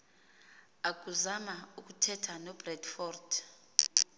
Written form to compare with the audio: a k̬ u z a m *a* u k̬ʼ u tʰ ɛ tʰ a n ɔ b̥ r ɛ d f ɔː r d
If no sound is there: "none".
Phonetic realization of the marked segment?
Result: a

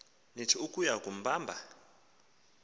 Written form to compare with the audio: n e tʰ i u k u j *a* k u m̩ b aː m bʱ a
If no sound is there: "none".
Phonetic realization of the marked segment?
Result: a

